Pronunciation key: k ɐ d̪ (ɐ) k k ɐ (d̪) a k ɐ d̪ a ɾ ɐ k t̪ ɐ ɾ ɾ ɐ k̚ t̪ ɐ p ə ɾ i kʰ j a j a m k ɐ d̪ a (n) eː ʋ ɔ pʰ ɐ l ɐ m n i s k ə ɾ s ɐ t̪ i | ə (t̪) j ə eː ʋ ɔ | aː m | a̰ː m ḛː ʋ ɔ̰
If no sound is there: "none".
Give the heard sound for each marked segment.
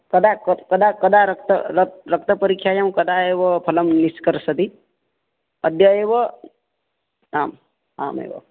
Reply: a, d̪, none, d̪

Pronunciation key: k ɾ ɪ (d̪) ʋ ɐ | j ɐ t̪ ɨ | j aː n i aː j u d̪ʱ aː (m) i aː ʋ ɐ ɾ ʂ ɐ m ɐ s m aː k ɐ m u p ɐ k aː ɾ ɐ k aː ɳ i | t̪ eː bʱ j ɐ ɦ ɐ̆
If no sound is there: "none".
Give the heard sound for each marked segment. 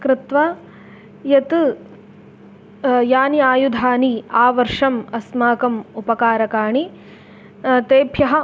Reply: t̪, n

